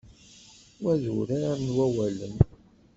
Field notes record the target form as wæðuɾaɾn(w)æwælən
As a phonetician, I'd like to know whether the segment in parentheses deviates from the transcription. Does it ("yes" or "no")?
no